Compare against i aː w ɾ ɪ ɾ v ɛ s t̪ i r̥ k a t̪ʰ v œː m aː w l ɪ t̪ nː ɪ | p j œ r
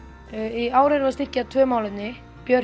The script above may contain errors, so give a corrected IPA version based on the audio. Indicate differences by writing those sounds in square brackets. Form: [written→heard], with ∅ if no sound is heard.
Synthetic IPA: i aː w ɾ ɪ ɾ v [ɛ→a] s t̪ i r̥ [k→c] a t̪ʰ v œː m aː w l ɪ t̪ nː ɪ | p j œ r